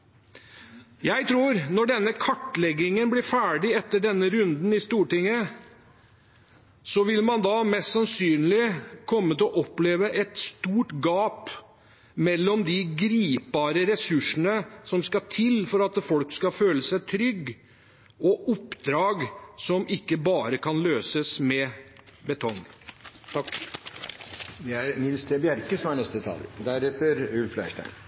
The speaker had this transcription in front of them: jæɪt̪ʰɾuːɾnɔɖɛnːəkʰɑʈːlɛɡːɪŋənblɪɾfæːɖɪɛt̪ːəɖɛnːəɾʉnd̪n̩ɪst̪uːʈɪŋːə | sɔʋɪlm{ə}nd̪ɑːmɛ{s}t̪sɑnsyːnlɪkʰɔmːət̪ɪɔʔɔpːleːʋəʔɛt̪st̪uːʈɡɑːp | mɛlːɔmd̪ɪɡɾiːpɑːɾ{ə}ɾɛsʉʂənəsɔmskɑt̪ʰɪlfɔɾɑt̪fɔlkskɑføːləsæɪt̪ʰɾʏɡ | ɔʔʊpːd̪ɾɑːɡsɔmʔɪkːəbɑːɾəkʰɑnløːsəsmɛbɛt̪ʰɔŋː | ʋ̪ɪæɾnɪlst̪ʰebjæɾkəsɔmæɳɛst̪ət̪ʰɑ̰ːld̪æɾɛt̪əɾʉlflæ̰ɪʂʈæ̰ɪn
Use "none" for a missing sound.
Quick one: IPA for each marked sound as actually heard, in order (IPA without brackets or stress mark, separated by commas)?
ɑ, s, ə